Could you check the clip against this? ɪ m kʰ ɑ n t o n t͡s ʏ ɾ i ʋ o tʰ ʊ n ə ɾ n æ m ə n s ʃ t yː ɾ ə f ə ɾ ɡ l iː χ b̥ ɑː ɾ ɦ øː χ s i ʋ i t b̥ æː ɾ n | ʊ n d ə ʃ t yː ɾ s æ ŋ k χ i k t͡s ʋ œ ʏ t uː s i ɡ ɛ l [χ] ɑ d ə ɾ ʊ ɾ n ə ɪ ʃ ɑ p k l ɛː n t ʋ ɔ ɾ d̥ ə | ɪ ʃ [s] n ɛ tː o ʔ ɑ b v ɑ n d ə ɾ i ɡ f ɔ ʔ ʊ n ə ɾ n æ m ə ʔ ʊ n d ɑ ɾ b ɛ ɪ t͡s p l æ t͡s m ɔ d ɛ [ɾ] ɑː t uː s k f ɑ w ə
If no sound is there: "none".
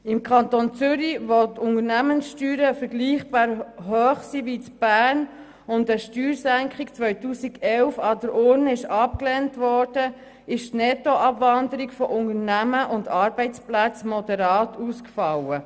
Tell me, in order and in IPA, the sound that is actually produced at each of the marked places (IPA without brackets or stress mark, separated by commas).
f, t, ɾ